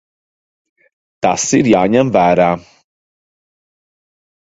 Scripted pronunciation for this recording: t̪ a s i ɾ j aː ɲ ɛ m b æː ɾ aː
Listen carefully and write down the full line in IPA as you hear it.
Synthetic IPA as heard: t̪ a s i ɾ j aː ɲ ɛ m v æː ɾ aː